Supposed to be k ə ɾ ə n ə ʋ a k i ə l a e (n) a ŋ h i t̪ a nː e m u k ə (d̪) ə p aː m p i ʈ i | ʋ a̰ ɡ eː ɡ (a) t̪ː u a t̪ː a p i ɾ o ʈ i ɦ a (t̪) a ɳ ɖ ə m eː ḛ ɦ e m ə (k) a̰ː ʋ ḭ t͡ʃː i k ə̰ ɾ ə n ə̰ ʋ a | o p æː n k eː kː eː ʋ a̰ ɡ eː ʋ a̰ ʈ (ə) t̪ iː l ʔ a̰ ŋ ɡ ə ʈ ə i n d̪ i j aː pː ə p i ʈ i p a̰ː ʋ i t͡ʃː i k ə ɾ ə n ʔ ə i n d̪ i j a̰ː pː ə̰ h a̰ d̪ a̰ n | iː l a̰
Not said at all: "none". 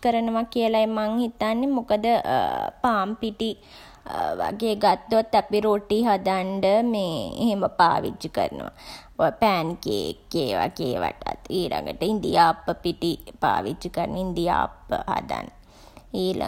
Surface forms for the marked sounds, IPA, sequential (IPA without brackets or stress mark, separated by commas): m, d̪, a, d̪, p, a